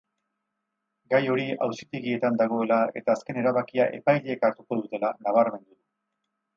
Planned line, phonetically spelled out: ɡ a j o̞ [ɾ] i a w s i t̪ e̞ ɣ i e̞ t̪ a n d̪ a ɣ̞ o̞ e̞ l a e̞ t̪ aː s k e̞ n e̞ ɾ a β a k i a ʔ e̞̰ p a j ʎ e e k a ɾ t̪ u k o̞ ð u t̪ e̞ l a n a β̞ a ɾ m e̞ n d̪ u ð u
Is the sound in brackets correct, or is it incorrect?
correct